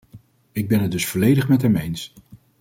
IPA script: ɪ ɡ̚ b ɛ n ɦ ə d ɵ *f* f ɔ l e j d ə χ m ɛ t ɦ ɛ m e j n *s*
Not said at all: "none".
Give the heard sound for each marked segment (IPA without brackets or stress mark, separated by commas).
s, s